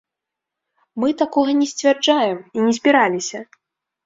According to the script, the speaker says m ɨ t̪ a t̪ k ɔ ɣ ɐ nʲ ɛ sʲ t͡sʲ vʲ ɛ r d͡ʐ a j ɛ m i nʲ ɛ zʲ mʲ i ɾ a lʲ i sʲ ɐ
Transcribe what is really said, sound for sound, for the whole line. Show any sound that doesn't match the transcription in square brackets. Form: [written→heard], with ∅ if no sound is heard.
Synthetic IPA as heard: m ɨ t̪ a [t̪→∅] k ɔ ɣ ɐ nʲ ɛ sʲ t͡sʲ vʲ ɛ r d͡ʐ a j ɛ m i nʲ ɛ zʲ [mʲ→bʲ] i ɾ a lʲ i sʲ ɐ